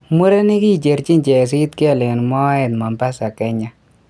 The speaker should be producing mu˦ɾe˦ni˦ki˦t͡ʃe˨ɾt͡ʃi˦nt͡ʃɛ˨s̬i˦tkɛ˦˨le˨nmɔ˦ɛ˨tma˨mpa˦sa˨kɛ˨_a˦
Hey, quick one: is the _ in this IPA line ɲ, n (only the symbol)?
ɲ